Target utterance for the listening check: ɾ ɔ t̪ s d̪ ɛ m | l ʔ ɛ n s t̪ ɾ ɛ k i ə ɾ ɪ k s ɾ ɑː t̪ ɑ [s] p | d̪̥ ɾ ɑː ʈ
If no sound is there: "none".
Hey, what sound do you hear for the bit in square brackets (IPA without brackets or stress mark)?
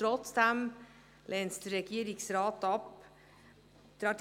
none